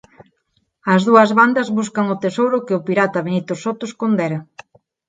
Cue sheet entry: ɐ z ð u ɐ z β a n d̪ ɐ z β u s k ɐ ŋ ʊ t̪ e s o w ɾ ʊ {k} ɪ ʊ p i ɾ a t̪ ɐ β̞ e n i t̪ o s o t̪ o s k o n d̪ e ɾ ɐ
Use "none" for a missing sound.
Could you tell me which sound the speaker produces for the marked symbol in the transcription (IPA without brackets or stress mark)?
k